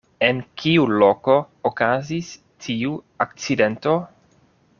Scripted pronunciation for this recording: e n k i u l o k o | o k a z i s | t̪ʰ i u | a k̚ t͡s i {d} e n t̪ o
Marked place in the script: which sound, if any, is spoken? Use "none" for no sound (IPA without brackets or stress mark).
d